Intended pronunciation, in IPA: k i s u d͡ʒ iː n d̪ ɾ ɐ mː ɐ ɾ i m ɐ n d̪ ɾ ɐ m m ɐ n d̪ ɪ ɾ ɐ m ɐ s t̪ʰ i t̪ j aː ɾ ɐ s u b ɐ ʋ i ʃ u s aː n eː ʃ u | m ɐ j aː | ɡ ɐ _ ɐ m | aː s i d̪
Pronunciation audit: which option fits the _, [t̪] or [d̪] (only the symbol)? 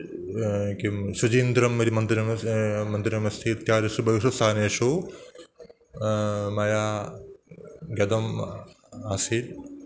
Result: d̪